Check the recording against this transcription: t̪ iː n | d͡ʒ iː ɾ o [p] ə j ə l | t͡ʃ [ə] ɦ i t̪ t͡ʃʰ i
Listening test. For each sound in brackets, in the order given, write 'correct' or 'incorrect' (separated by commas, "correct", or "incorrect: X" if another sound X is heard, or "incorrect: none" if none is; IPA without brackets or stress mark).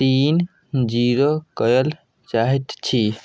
incorrect: k, incorrect: a